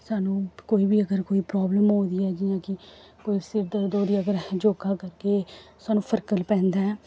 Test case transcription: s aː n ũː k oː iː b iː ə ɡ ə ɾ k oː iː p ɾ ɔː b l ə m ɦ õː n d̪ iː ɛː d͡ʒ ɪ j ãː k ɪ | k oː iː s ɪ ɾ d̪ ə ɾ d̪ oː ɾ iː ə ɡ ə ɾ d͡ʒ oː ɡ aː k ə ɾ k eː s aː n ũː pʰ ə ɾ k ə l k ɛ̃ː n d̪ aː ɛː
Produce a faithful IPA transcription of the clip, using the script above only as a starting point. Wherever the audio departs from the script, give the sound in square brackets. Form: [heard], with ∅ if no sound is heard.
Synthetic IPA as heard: s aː n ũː k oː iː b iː ə ɡ ə ɾ k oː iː p ɾ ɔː b l ə m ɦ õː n d̪ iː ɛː d͡ʒ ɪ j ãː k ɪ | k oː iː s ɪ ɾ d̪ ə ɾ d̪ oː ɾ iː ə ɡ ə ɾ d͡ʒ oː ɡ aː k ə ɾ k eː s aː n ũː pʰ ə ɾ k ə l [p] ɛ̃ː n d̪ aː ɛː

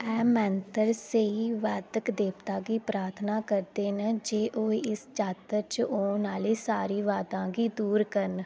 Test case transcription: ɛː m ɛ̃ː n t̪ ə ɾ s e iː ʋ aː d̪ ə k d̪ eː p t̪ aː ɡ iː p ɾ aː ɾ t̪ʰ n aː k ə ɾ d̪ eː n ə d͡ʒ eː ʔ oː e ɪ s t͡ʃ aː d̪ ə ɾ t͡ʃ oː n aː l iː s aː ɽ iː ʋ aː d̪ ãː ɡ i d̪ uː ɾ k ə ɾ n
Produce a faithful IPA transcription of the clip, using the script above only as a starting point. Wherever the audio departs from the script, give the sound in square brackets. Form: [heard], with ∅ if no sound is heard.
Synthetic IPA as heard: ɛː m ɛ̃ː n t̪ ə ɾ s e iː ʋ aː d̪ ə k d̪ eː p t̪ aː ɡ iː p ɾ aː ɾ t̪ʰ n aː k ə ɾ d̪ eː n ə d͡ʒ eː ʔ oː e ɪ s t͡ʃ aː [t̪] ə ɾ t͡ʃ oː n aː l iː s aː [ɾ] iː ʋ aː d̪ ãː ɡ [iː] d̪ uː ɾ k ə ɾ n

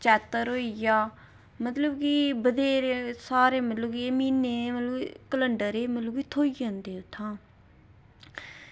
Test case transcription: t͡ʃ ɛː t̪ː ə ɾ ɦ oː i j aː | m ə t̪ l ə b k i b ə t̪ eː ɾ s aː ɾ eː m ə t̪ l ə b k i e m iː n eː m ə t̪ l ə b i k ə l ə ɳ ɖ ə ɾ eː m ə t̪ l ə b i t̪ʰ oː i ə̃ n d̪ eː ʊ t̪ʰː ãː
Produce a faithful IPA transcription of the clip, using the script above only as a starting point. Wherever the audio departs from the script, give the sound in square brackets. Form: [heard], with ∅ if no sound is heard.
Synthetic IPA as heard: t͡ʃ ɛː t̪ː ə ɾ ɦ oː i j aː | m ə t̪ l ə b k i b ə [d̪] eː ɾ s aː ɾ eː m ə t̪ l ə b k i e m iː n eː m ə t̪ l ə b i k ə l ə ɳ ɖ ə ɾ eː m ə t̪ l ə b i t̪ʰ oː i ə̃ n d̪ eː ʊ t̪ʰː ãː

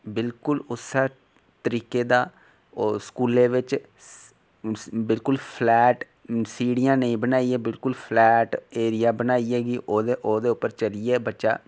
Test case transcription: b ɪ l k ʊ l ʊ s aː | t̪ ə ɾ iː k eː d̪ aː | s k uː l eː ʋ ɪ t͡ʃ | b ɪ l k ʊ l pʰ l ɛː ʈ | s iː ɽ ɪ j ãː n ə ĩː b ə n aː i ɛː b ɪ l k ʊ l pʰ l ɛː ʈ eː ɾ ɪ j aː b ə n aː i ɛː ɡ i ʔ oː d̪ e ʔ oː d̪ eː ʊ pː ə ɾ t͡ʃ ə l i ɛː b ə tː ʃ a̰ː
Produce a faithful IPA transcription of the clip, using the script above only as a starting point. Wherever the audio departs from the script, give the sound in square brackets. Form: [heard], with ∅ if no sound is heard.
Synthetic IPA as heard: b ɪ l k ʊ l ʊ s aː | t̪ ə ɾ iː k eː d̪ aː | s k uː l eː ʋ ɪ t͡ʃ | b ɪ l k ʊ l pʰ l ɛː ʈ | s iː ɽ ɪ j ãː n ə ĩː b ə n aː i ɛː b ɪ l k ʊ l pʰ l ɛː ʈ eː ɾ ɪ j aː b ə n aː i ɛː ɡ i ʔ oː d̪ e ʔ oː d̪ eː ʊ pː ə ɾ t͡ʃ ə l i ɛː b ə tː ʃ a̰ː

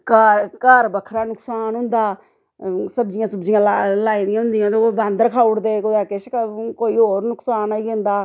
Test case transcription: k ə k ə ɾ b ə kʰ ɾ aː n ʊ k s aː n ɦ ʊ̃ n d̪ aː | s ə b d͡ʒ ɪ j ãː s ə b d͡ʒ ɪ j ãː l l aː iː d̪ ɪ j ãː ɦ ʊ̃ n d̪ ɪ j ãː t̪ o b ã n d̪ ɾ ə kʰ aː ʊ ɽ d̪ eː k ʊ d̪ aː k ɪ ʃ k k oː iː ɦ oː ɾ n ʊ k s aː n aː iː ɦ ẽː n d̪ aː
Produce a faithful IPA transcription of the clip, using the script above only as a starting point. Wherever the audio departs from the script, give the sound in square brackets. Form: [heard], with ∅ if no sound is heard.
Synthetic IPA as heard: k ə k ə ɾ b ə kʰ ɾ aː n ʊ k s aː n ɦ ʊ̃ n d̪ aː | s ə b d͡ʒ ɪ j ãː s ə b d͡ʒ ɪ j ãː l l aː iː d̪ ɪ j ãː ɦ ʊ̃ n d̪ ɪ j ãː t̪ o b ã n d̪ ɾ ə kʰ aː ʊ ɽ d̪ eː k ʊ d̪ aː k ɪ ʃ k k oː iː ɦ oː ɾ n ʊ k s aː n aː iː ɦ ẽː n d̪ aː

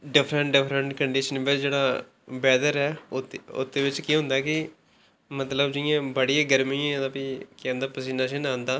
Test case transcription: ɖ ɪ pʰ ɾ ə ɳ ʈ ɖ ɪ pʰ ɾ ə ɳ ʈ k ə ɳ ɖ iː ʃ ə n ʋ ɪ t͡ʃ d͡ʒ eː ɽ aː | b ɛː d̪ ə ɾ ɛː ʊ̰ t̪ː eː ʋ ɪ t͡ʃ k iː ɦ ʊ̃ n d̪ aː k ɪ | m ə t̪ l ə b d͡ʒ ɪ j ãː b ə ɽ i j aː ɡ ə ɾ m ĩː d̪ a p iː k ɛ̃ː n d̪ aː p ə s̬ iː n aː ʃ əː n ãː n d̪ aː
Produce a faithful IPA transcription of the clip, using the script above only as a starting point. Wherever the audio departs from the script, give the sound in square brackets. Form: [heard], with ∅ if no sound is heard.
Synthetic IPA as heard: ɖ ɪ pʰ ɾ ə ɳ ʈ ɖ ɪ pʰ ɾ ə ɳ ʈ k ə ɳ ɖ iː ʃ ə n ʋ ɪ t͡ʃ d͡ʒ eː ɽ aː | b ɛː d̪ ə ɾ ɛː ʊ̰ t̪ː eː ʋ ɪ t͡ʃ k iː ɦ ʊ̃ n d̪ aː k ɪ | m ə t̪ l ə b d͡ʒ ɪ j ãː b ə ɽ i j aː ɡ ə ɾ m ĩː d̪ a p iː k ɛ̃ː n d̪ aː p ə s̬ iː n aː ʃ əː n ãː n d̪ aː

